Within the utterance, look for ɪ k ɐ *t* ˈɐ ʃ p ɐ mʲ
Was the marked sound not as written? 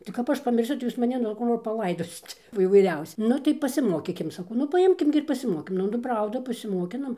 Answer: yes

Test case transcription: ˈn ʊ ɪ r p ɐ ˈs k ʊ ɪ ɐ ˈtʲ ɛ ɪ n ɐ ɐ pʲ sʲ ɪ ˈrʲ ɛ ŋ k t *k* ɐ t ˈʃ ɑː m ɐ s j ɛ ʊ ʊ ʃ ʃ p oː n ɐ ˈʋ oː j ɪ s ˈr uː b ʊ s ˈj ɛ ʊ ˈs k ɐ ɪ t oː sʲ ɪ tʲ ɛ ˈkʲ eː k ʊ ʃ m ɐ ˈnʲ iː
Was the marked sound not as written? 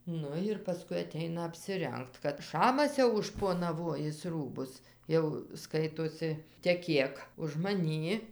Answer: no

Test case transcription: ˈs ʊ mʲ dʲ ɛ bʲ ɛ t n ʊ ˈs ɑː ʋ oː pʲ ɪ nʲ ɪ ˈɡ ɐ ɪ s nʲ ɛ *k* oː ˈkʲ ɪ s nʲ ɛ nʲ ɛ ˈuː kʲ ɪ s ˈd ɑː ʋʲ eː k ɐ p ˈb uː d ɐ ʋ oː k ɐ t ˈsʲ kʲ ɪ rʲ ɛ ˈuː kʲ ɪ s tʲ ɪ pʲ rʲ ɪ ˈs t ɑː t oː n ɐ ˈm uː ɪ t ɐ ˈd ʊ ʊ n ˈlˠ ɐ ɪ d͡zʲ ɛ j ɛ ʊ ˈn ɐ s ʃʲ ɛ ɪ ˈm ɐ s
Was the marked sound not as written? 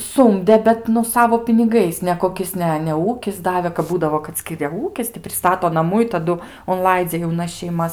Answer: no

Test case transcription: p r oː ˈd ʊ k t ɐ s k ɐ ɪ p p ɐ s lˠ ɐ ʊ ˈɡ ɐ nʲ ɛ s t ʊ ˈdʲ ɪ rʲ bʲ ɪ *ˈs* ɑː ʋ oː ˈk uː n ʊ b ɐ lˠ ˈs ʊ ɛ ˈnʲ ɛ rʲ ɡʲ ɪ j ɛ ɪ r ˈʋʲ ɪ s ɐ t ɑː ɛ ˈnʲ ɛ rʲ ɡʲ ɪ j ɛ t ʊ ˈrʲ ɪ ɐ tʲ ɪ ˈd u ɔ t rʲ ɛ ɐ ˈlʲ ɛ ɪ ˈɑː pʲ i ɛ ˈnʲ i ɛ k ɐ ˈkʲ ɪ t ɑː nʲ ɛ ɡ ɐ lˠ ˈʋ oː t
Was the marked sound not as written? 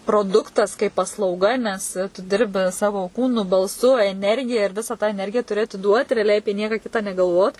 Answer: no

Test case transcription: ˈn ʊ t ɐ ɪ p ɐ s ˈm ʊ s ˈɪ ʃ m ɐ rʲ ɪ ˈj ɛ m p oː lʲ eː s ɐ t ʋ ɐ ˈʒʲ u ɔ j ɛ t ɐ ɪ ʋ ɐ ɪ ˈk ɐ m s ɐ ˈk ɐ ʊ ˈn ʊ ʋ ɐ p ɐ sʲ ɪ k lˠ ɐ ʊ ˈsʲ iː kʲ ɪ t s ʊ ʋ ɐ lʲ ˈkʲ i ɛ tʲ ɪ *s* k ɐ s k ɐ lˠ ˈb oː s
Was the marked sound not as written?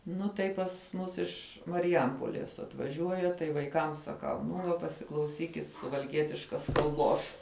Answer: yes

